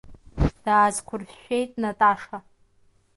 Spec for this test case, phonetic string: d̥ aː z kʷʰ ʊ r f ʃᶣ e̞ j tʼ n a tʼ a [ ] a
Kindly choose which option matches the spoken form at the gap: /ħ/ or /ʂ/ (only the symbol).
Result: ʂ